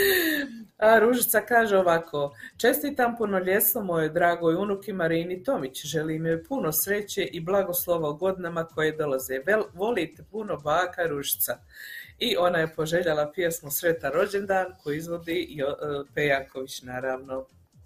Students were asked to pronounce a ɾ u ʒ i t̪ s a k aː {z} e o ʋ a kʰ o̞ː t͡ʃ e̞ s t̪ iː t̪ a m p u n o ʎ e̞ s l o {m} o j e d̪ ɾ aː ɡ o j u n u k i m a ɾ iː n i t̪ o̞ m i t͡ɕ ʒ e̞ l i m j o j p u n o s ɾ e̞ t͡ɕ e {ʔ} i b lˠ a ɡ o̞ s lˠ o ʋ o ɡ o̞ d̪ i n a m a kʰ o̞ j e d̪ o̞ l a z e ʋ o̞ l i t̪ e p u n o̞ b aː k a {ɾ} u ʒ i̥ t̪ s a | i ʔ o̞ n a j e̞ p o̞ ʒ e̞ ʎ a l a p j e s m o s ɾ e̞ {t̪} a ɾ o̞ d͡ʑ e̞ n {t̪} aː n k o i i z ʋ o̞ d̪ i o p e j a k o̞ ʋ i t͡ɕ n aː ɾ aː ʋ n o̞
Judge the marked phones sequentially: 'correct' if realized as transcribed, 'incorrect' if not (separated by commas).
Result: incorrect, correct, correct, correct, correct, incorrect